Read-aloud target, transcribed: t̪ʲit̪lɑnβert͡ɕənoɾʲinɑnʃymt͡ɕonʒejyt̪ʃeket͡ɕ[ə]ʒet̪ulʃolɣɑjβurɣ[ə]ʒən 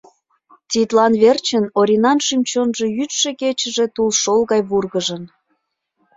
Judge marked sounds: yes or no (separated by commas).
yes, yes